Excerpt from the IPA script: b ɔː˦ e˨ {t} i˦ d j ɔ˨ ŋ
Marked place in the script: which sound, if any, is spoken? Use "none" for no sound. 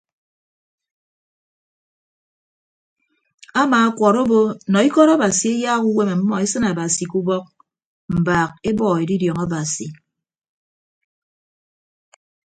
d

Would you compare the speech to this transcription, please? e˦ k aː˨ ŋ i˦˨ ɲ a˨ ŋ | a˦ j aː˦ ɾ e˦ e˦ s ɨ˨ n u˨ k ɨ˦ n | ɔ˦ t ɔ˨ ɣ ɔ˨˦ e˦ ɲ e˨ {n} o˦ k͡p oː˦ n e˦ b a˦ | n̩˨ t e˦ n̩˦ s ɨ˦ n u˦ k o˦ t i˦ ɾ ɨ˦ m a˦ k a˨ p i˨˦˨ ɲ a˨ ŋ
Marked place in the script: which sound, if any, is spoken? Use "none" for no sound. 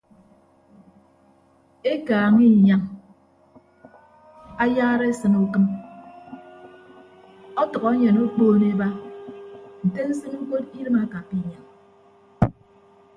n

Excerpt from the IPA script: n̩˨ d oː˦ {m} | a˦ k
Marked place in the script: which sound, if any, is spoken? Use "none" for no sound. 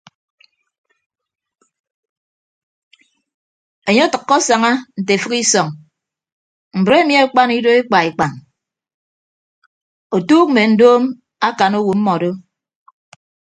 m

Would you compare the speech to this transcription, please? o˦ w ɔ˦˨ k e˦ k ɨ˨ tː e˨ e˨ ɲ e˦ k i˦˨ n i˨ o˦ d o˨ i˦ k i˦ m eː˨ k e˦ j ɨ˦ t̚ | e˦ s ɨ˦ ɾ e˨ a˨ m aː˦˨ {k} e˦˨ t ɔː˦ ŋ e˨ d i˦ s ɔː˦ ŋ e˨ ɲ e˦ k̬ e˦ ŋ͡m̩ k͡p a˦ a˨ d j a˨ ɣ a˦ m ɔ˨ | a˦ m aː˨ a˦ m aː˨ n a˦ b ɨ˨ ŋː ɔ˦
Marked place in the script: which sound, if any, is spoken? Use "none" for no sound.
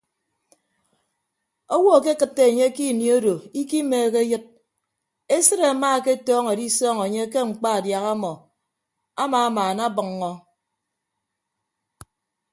k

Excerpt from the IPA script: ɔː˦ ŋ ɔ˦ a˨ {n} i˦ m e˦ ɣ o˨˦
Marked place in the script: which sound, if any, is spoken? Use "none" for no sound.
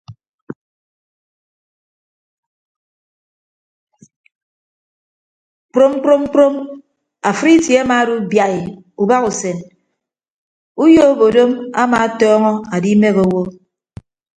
d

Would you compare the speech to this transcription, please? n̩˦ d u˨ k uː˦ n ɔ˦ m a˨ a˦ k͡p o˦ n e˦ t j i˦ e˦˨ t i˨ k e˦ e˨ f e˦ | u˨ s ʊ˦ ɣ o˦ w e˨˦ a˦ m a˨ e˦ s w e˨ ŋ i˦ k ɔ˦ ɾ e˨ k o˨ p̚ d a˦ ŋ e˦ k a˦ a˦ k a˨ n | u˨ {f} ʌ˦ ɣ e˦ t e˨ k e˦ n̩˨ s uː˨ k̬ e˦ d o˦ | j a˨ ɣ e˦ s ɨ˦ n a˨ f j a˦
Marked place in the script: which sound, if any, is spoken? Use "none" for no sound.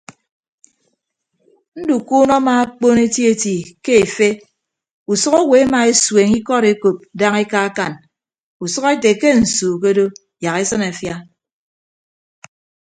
s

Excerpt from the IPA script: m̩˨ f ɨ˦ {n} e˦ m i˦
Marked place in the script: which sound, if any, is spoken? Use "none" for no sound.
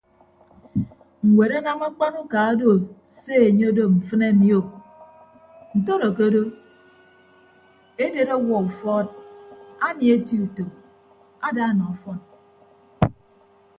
n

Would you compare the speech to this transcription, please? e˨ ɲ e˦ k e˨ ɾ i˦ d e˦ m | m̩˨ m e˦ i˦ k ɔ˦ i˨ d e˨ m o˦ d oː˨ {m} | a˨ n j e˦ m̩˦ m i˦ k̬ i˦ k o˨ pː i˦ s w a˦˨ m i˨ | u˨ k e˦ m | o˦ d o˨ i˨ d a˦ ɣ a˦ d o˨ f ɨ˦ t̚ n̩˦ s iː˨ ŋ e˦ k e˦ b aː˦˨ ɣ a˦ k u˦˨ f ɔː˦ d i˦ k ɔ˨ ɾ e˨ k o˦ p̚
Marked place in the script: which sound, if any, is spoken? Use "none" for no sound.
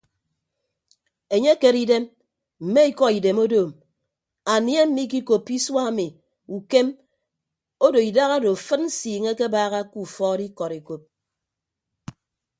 m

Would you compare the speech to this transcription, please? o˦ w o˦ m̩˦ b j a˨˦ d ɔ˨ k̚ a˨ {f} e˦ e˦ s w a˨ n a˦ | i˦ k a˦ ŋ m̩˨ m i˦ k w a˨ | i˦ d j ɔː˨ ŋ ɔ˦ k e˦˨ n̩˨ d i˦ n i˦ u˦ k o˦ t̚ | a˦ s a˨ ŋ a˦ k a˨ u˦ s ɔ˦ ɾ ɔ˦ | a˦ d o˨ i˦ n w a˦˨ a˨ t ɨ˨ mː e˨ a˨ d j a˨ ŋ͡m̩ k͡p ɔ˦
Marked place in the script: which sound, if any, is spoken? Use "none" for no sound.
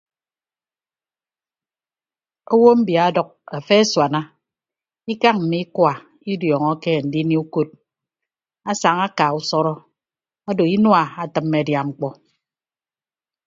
f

